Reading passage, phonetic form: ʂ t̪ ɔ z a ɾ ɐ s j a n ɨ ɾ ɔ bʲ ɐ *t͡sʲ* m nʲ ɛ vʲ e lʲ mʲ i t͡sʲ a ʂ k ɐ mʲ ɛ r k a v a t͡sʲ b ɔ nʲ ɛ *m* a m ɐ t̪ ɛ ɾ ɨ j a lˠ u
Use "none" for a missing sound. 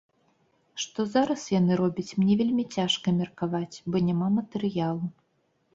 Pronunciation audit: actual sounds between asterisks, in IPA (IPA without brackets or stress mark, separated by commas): t͡sʲ, m